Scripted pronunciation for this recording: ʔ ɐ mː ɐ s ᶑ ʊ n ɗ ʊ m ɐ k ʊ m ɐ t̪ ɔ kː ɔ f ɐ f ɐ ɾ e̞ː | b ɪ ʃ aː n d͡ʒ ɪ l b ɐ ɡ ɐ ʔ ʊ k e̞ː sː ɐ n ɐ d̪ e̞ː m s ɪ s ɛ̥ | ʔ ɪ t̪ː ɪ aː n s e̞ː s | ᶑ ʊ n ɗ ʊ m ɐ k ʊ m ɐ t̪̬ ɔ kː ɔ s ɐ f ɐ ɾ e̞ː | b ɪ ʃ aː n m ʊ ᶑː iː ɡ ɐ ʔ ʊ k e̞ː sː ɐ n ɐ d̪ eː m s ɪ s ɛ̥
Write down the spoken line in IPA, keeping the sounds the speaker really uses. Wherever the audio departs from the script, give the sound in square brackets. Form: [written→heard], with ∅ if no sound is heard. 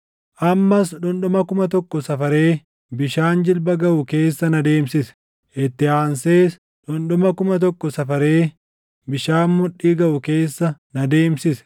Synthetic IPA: ʔ ɐ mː ɐ s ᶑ ʊ n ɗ ʊ m ɐ k ʊ m ɐ t̪ ɔ kː ɔ [f→s] ɐ f ɐ ɾ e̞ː | b ɪ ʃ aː n d͡ʒ ɪ l b ɐ ɡ ɐ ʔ ʊ k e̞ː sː ɐ n ɐ d̪ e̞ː m s ɪ s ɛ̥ | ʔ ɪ t̪ː ɪ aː n s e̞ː s | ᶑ ʊ n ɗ ʊ m ɐ k ʊ m ɐ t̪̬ ɔ kː ɔ s ɐ f ɐ ɾ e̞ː | b ɪ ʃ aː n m ʊ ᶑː iː ɡ ɐ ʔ ʊ k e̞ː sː ɐ n ɐ d̪ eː m s ɪ s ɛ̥